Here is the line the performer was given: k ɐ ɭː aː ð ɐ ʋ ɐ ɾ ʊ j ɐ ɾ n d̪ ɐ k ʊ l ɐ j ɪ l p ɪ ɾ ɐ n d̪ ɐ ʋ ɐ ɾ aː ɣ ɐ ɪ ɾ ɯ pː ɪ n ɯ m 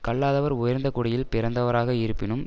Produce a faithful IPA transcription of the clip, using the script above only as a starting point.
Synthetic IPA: k ɐ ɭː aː ð ɐ ʋ ɐ ɾ ʊ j ɐ ɾ n d̪ ɐ k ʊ ɽ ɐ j ɪ l p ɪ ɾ ɐ n d̪ ɐ ʋ ɐ ɾ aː ɣ ɐ ɪ ɾ ɯ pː ɪ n ɯ m